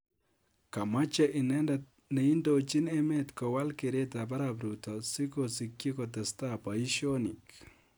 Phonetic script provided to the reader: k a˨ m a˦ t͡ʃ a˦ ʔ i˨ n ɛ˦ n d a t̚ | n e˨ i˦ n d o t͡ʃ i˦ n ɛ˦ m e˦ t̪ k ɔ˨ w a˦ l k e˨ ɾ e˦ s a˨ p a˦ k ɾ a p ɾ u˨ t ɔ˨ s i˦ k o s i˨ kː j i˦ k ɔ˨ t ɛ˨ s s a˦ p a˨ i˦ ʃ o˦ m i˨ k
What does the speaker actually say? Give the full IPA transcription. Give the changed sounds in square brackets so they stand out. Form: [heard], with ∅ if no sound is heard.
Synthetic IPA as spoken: k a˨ m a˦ t͡ʃ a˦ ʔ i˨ n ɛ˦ n d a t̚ | n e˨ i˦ n d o t͡ʃ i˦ n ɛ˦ m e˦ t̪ k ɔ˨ w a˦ l k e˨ ɾ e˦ [t] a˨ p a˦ [∅] ɾ a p ɾ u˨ t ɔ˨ s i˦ k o s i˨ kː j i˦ k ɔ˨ t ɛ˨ s [t] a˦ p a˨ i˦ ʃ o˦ [n] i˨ k